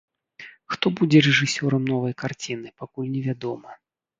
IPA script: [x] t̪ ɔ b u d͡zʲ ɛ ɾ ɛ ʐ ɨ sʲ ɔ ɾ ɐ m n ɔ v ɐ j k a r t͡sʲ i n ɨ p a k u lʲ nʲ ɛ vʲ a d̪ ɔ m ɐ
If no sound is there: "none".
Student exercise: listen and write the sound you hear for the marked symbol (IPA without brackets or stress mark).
x